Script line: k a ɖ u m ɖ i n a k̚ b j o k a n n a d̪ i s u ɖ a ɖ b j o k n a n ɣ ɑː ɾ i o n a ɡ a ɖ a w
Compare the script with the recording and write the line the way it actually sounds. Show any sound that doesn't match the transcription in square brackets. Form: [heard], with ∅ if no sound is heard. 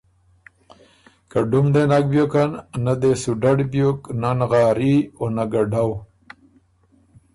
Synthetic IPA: k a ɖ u m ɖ [e] n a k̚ b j o k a n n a d̪ [e] s u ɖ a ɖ b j o k n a n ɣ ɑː ɾ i o n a ɡ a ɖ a w